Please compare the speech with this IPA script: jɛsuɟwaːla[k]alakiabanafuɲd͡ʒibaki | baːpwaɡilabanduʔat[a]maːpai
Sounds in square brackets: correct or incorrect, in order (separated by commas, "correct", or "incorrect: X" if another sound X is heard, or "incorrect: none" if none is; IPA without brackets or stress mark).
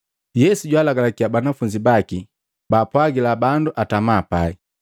incorrect: ɡ, correct